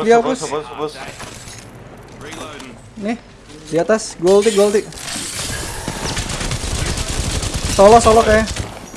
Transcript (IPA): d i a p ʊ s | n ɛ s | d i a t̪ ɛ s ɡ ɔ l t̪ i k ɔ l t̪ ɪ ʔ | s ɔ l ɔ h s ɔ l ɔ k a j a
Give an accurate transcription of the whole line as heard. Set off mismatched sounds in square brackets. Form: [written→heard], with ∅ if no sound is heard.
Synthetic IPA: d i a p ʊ s | n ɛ [s→h] | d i a t̪ [ɛ→a] s ɡ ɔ l t̪ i [k→ɡ] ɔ l t̪ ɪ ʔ | s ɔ l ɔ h s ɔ l ɔ k a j a